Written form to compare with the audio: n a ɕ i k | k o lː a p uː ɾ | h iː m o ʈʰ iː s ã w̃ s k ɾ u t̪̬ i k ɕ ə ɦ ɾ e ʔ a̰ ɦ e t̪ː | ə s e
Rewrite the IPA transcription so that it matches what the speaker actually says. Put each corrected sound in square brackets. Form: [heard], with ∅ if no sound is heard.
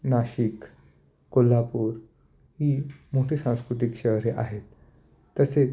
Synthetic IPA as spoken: n a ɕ i k | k o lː a p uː ɾ | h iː m o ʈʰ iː s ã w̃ s k ɾ u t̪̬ i k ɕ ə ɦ ɾ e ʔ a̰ ɦ e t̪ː | ə s e